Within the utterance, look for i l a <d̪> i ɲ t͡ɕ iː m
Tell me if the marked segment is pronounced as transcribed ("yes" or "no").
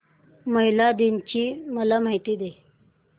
yes